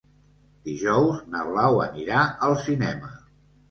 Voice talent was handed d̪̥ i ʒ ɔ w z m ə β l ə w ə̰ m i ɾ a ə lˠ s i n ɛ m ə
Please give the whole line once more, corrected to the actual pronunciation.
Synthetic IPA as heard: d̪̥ i ʒ ɔ w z n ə β l a w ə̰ n i ɾ a ə lˠ s i n ɛ m ə